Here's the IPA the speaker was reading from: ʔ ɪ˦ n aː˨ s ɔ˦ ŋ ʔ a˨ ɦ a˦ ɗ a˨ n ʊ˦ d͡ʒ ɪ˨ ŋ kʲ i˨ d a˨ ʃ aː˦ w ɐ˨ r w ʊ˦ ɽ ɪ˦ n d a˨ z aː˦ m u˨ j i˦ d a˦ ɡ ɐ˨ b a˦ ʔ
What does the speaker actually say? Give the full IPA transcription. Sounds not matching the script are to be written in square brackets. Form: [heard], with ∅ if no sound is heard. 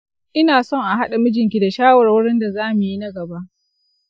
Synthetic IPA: ʔ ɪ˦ n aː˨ s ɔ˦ ŋ ʔ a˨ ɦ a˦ ɗ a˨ [m] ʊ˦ d͡ʒ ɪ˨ ŋ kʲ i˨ d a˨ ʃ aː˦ w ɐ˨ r w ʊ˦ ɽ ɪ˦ n d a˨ z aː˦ m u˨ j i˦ [n] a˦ ɡ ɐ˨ b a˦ ʔ